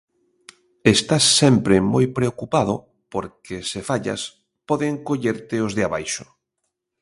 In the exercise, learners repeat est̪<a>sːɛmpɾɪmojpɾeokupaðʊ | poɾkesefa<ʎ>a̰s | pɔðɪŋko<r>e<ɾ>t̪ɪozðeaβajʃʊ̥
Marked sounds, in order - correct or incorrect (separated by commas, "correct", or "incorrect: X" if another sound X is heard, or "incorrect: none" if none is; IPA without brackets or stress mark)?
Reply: correct, correct, incorrect: ʎ, correct